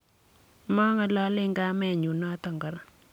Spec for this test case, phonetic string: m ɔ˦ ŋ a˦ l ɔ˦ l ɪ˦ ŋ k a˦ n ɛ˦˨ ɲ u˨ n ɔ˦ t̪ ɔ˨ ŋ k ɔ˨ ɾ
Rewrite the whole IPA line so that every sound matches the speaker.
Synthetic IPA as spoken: m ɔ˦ ŋ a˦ l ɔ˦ l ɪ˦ ŋ ɡ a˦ m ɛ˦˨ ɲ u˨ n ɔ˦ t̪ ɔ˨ ŋ ɡ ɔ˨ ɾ